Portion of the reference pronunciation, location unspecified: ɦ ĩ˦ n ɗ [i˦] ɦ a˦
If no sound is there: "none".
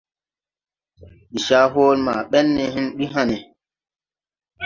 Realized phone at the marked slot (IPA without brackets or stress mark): i˦